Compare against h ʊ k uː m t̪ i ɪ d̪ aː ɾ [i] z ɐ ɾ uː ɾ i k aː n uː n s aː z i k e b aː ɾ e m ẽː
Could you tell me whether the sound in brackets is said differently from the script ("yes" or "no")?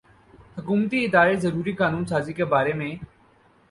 yes